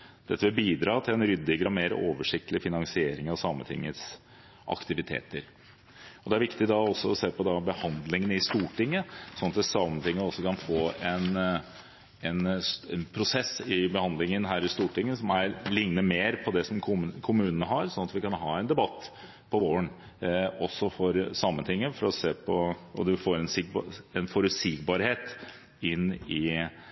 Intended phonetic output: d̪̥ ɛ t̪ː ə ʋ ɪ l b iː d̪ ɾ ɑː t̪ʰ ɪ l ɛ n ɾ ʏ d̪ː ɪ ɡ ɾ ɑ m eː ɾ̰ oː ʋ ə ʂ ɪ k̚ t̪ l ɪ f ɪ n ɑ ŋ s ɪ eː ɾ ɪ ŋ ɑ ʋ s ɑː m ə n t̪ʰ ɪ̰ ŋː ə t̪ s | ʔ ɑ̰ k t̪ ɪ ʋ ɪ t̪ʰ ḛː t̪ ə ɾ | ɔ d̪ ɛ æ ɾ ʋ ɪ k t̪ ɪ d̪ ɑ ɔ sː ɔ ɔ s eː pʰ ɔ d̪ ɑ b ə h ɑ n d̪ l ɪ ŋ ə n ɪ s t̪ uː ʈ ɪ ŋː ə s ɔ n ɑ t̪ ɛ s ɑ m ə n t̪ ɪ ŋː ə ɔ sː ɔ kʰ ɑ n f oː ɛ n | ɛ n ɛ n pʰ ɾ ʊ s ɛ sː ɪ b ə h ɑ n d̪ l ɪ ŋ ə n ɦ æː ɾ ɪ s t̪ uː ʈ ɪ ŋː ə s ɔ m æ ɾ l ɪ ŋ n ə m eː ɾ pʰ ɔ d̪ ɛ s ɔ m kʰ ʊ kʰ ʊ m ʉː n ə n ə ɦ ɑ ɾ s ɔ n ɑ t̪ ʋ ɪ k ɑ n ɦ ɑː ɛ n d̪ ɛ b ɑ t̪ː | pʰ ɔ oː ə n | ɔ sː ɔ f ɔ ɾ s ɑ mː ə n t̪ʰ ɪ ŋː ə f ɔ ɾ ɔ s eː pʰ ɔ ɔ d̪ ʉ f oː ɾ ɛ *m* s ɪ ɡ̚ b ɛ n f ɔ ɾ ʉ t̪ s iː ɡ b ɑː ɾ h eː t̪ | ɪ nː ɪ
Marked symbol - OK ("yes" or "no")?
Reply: no